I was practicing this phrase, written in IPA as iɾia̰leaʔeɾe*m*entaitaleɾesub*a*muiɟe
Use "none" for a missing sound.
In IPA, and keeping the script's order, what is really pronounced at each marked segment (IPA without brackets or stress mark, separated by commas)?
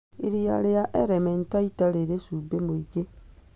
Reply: m, e